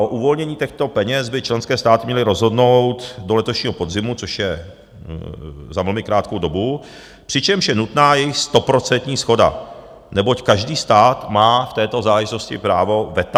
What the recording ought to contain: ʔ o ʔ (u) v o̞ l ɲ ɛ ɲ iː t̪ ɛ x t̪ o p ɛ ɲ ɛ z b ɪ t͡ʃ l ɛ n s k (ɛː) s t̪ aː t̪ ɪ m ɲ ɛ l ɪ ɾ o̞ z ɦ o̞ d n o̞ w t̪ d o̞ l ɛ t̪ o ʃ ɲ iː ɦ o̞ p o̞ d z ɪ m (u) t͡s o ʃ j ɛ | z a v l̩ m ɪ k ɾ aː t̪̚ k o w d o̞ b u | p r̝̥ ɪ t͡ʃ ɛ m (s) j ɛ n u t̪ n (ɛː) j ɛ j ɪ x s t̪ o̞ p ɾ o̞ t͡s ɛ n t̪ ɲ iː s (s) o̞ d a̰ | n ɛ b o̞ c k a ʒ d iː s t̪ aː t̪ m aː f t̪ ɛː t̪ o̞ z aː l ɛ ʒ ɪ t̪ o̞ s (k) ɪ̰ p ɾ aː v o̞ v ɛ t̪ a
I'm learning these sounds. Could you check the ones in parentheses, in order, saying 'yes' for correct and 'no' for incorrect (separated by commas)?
yes, yes, yes, no, no, no, no